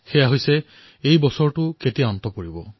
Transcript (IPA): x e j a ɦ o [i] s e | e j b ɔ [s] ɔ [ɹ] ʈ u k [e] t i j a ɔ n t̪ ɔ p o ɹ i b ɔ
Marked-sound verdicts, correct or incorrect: incorrect, correct, correct, correct

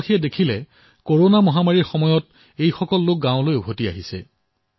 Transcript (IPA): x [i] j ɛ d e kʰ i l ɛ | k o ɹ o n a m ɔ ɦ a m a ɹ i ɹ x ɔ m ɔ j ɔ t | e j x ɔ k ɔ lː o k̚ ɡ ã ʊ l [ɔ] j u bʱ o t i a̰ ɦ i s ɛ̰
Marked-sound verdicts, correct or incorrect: correct, incorrect

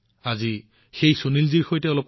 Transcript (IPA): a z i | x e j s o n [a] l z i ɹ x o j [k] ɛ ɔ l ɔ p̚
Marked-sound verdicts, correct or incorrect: incorrect, incorrect

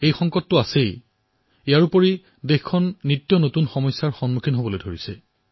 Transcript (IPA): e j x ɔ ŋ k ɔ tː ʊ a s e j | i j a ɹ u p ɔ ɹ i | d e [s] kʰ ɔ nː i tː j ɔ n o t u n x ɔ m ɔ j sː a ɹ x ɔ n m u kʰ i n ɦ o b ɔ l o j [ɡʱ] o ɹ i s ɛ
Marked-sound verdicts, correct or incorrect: incorrect, incorrect

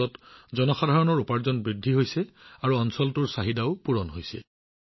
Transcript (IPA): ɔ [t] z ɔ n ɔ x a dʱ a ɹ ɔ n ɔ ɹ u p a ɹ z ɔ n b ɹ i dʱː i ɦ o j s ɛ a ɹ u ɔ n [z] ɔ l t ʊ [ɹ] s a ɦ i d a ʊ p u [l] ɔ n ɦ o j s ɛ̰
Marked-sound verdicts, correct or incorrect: correct, incorrect, correct, incorrect

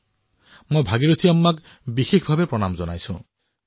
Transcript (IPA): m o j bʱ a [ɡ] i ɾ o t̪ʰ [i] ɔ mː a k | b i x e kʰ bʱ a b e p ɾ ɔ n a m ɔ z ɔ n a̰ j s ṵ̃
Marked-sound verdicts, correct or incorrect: correct, correct

